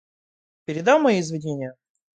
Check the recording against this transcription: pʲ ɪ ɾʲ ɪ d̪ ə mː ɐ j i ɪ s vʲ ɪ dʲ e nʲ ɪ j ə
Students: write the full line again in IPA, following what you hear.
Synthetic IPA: pʲ ɪ ɾʲ ɪ d̪ a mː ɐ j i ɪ z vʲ ɪ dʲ e nʲ ɪ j ə